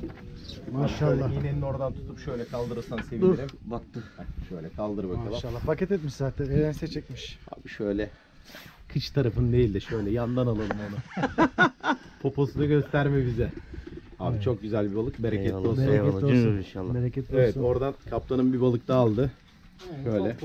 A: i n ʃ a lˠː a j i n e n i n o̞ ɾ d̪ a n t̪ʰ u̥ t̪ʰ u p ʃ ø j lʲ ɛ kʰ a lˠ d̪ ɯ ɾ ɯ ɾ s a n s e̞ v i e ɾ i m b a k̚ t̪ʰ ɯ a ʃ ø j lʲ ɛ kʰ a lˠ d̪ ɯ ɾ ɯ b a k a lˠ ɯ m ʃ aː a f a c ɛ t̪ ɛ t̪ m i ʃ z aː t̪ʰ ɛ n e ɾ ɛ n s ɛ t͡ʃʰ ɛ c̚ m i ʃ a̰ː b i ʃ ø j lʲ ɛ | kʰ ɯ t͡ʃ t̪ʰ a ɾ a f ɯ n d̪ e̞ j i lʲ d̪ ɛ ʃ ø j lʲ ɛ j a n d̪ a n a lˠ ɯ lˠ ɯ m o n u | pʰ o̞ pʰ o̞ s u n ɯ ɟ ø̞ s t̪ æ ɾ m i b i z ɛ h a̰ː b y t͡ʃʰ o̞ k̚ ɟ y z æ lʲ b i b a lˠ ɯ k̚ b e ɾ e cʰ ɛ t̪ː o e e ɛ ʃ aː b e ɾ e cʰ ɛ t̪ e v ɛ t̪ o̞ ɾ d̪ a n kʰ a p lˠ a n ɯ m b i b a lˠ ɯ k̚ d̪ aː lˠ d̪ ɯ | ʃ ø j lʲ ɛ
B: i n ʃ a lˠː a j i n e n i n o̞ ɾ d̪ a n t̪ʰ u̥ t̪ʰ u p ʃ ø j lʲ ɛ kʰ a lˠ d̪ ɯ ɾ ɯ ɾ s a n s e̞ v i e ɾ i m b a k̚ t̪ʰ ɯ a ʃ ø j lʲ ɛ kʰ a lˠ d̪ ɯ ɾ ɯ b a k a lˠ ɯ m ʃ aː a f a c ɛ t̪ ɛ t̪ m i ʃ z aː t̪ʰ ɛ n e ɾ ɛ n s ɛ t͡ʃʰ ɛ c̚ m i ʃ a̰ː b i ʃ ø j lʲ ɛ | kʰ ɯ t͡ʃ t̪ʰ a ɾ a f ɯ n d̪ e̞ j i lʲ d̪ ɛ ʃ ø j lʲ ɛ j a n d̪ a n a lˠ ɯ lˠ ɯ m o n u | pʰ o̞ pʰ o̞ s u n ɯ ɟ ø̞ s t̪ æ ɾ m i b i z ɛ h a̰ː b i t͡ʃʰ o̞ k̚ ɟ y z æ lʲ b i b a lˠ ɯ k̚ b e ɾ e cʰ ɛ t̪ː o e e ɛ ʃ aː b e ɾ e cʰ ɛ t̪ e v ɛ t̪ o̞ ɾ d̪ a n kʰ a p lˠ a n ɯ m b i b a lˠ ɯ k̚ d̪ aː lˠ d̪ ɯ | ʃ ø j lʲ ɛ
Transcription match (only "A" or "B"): B